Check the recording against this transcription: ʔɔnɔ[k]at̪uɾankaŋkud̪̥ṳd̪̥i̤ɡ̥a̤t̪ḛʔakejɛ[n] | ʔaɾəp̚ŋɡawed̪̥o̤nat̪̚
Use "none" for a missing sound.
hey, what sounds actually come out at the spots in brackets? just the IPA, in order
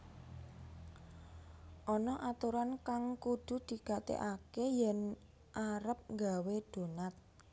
ʔ, n

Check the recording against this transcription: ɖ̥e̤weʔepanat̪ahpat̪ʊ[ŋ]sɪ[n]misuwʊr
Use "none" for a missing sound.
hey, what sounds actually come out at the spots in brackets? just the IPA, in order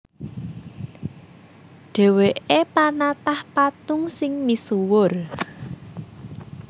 ŋ, ŋ

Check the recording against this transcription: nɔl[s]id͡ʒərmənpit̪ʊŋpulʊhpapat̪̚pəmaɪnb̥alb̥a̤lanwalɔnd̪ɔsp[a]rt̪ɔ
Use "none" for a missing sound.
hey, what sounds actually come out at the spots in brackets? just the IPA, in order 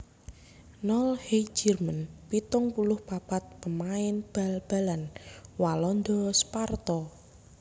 h, a

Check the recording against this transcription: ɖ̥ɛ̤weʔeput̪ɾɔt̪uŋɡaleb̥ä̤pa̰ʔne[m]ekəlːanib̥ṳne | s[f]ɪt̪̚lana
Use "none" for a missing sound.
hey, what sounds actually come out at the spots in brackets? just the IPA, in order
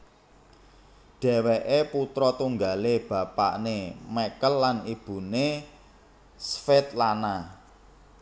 m, f

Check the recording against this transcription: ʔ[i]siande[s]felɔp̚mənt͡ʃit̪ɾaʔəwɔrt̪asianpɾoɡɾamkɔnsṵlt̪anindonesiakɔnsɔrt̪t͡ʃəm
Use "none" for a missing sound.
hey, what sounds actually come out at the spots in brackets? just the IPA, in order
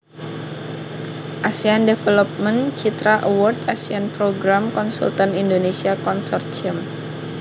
a, none

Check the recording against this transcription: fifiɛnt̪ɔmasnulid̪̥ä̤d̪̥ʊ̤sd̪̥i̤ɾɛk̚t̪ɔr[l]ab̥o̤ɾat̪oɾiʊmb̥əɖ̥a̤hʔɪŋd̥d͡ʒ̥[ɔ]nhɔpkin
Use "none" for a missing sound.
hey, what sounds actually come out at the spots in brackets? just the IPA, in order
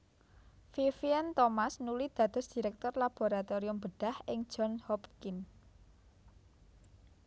l, ɔ

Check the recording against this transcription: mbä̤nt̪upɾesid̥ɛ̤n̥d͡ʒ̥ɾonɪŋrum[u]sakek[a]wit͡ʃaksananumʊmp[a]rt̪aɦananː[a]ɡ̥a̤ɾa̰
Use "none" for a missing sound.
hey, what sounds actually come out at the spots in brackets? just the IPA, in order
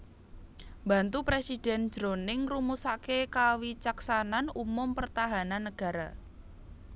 u, a, ə, ə

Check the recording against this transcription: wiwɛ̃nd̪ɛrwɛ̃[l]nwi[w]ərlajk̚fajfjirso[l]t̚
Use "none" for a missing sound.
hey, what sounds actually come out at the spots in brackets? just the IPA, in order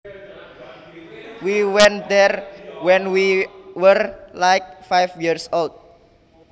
none, w, l

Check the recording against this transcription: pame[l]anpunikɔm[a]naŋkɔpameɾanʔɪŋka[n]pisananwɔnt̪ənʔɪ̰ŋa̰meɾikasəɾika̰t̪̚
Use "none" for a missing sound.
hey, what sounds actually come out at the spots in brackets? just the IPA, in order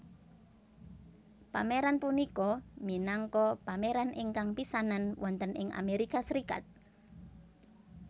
ɾ, i, ŋ

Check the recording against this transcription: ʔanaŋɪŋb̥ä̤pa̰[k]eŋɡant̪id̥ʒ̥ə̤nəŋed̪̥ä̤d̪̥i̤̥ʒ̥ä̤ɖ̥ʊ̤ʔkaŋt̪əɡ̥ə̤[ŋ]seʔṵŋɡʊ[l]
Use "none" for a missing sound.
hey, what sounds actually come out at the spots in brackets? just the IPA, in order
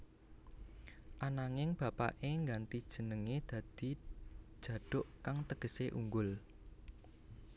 ʔ, none, l

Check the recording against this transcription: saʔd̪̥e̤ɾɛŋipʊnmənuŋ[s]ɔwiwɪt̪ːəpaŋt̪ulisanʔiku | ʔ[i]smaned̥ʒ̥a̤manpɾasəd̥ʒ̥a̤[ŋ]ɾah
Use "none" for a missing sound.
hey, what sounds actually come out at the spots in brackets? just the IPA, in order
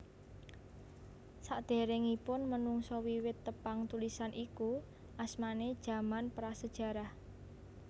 s, a, none

